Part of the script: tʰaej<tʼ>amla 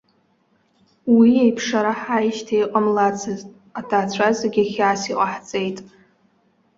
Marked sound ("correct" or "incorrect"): incorrect